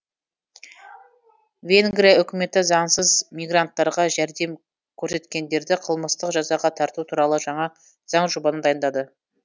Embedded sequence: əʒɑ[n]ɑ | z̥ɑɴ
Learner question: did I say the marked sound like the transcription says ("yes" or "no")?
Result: no